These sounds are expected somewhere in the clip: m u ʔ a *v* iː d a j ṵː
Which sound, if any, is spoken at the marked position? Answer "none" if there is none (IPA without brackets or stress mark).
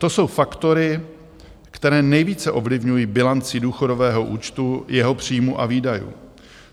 v